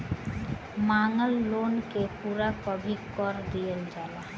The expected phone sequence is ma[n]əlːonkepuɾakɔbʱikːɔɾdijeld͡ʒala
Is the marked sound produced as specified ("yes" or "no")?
no